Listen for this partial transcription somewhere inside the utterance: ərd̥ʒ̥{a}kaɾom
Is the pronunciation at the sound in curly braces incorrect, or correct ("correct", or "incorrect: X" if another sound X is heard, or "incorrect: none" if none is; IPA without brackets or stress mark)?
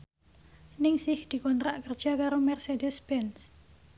correct